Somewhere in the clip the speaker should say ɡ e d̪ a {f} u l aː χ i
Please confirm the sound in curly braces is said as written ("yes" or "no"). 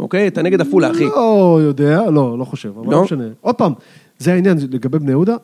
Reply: yes